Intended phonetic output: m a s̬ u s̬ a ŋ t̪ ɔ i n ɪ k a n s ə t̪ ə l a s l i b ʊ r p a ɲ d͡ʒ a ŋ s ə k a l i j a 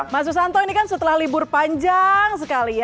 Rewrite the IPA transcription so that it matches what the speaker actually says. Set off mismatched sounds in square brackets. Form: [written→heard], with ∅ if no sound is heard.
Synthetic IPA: m a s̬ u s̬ a [ŋ→n] t̪ ɔ i n [ɪ→i] k a n s ə t̪ ə l a [s→h] l i b ʊ r p a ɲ d͡ʒ a ŋ s ə k a l i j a